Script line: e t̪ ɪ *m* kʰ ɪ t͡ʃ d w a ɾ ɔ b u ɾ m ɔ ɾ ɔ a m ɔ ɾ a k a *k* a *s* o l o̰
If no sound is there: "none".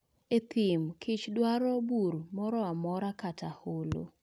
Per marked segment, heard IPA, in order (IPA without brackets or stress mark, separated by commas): m, t, h